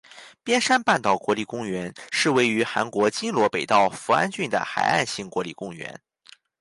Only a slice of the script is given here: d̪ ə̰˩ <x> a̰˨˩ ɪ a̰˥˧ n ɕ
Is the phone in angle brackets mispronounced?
no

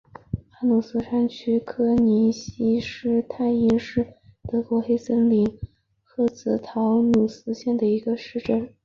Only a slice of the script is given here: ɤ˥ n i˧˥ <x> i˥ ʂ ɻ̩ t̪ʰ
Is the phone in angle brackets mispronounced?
yes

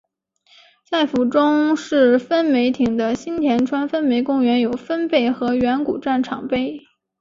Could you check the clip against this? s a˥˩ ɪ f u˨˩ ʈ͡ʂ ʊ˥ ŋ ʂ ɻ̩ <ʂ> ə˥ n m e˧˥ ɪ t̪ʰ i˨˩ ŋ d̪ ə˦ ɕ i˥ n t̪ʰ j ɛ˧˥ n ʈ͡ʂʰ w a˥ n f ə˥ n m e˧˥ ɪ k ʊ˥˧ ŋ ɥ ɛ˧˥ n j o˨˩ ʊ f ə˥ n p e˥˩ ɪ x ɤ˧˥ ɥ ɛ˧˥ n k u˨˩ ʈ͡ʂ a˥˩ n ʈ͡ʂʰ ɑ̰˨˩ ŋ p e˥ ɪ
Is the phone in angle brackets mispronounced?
yes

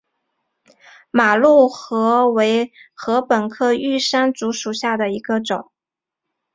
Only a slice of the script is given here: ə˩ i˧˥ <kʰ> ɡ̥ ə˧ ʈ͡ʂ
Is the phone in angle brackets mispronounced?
yes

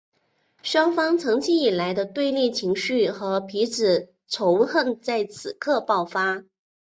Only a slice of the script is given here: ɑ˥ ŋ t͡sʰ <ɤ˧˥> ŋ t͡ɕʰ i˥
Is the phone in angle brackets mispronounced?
no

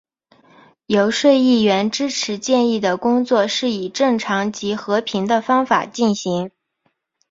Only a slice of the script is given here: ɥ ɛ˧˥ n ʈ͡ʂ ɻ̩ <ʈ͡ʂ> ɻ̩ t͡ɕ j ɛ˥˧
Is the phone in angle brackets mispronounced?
yes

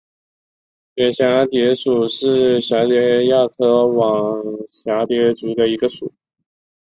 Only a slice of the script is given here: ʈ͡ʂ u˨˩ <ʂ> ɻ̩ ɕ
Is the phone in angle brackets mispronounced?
no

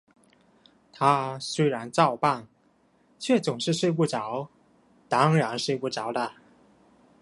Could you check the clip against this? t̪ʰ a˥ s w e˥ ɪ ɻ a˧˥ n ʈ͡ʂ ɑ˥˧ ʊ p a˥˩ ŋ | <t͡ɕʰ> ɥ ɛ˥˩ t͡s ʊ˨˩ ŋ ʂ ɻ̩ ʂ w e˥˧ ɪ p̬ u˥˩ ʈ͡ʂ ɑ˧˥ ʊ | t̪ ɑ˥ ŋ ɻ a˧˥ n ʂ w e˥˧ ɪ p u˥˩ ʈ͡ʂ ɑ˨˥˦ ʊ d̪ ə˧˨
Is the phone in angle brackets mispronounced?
no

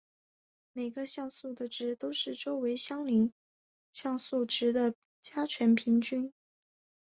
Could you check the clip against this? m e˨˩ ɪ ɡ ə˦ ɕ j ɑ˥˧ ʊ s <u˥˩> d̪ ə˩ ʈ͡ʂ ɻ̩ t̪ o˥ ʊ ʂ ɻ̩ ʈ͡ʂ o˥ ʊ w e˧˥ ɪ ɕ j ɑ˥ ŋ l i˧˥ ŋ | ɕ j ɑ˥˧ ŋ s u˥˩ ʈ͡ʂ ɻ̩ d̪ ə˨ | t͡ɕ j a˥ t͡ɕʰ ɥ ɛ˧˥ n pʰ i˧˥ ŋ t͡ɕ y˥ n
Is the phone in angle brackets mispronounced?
no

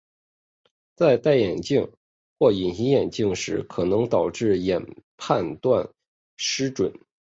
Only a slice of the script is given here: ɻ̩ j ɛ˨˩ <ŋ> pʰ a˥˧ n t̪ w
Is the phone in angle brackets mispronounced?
yes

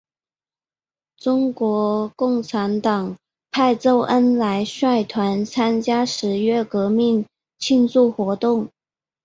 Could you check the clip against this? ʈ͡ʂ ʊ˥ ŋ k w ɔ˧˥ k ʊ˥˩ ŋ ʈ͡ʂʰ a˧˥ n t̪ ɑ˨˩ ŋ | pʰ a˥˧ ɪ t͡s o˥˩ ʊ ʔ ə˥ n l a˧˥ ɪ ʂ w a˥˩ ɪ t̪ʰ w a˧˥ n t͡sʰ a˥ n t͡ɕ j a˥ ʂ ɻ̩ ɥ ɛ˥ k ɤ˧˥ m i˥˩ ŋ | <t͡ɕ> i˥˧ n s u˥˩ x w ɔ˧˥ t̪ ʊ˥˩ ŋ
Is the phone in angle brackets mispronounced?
yes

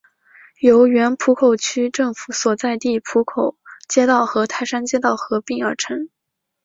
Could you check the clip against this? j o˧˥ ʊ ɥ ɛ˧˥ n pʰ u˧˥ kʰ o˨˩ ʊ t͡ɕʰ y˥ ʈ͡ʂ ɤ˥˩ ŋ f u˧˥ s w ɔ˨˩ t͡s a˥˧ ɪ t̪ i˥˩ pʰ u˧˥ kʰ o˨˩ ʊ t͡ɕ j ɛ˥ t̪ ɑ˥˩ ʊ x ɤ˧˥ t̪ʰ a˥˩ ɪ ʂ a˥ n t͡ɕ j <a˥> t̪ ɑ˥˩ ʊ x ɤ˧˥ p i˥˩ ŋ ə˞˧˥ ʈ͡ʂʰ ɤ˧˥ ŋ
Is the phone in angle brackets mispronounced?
yes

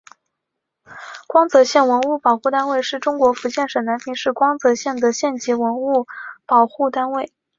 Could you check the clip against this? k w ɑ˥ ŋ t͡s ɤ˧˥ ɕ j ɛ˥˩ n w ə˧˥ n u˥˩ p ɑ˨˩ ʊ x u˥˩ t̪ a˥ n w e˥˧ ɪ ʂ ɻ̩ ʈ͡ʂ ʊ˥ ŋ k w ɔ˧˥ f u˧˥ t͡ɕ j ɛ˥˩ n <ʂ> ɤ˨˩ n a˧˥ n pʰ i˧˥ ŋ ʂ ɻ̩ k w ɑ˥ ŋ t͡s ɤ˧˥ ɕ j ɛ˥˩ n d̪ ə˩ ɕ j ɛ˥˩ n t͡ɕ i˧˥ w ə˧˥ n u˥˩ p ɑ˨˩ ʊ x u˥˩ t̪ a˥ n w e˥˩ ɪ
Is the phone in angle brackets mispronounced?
no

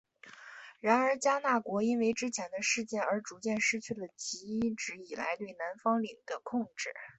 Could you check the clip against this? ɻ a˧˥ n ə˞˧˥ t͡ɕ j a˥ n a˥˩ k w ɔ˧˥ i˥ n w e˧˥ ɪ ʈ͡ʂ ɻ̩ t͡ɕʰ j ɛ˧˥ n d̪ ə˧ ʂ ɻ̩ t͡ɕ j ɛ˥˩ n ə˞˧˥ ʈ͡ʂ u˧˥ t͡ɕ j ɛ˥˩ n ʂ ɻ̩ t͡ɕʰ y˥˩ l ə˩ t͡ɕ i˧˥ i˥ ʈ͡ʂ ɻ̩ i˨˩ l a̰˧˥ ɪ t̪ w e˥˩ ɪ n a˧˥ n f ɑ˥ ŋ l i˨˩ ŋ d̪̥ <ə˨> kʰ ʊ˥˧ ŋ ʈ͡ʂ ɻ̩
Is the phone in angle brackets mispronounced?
yes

